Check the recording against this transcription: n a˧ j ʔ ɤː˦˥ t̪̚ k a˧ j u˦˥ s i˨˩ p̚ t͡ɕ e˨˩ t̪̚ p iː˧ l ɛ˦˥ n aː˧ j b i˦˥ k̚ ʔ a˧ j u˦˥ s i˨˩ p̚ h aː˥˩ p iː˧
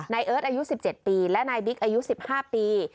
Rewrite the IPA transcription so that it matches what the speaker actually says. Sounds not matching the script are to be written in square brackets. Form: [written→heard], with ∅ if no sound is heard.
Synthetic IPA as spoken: n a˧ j ʔ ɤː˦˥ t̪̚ [k→ʔ] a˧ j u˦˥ s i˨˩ p̚ t͡ɕ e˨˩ t̪̚ p iː˧ l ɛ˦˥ n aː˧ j b i˦˥ k̚ ʔ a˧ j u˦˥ s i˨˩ p̚ h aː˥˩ p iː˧